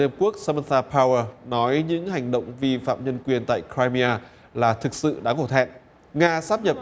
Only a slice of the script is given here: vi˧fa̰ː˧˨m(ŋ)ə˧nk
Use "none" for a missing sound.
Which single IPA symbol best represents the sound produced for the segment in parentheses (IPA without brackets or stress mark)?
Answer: ɲ